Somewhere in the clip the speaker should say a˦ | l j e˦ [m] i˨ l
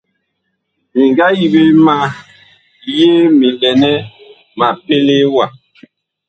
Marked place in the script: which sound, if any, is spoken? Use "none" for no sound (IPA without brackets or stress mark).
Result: m